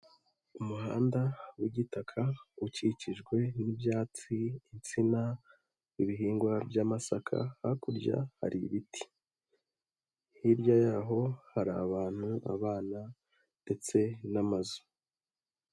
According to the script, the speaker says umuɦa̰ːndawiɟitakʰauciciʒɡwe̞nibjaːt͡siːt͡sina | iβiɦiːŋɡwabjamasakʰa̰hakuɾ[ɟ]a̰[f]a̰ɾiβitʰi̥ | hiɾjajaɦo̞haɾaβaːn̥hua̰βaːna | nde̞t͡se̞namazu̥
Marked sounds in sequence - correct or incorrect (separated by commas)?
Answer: correct, incorrect